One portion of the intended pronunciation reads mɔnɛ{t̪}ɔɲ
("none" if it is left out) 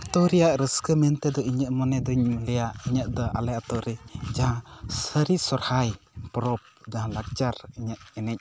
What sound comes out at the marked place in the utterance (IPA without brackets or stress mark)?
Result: d̪